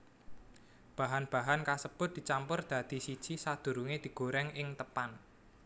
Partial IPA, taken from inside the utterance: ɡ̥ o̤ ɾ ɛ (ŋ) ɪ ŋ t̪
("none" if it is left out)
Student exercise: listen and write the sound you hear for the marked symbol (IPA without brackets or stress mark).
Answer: ŋ